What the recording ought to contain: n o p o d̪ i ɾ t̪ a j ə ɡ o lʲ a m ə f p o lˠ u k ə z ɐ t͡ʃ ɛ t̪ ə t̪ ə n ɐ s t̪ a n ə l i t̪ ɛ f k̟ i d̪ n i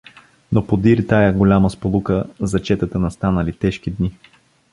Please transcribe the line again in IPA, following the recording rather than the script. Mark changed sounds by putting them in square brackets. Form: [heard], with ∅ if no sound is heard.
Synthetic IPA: n o p o d̪ i ɾ t̪ a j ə ɡ o lʲ a m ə [s] p o lˠ u k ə z ɐ t͡ʃ ɛ t̪ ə t̪ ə n ɐ s t̪ a n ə l i t̪ ɛ [ʃ] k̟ i d̪ n i